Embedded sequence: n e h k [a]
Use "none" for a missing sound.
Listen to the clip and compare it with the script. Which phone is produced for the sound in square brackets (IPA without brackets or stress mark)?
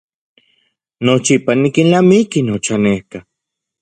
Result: a